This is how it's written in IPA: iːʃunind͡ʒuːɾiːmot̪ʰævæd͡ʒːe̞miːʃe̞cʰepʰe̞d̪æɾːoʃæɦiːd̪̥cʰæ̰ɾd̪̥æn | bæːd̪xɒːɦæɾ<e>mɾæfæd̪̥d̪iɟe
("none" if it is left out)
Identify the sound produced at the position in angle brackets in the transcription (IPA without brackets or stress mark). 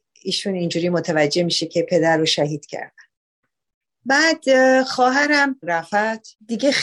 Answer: æ